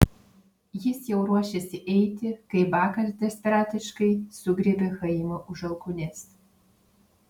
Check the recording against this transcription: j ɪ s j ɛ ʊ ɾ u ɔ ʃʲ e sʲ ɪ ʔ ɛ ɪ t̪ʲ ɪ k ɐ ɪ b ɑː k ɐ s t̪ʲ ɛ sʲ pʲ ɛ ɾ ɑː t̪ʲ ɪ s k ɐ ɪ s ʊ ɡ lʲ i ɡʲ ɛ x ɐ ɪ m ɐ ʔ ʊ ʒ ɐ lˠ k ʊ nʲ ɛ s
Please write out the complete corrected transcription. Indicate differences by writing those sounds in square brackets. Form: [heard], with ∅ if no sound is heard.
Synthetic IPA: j ɪ s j ɛ ʊ ɾ u ɔ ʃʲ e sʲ ɪ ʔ ɛ ɪ t̪ʲ ɪ k ɐ ɪ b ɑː k ɐ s [d̪ʲ] ɛ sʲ pʲ ɛ ɾ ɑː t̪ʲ ɪ [ʃ] k ɐ ɪ s ʊ ɡ [ɾʲ] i [bʲ] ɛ x ɐ ɪ m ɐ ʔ ʊ ʒ ɐ lˠ k ʊ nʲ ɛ s